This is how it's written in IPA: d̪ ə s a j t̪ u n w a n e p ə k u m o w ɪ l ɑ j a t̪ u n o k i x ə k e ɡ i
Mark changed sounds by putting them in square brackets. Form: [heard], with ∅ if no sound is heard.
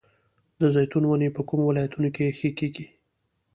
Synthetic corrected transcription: d̪ ə [z] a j t̪ u n w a n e p ə k u m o w ɪ l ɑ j a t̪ u n o k [e] x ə k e ɡ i